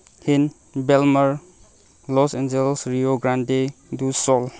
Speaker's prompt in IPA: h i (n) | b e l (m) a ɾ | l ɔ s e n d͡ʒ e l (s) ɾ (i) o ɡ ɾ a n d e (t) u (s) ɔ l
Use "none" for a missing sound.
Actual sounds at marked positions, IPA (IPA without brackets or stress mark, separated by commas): n, m, s, i, d, s